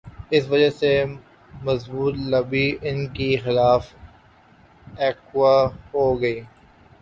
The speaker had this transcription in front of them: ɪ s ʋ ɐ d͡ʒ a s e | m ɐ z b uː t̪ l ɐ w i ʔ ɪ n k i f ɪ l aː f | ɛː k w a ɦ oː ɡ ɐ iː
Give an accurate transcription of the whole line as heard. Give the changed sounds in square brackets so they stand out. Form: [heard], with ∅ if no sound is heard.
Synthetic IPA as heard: ɪ s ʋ ɐ d͡ʒ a s e | m ɐ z b uː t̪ l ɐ [b] i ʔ ɪ n k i [x] ɪ l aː f | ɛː k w a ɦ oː ɡ ɐ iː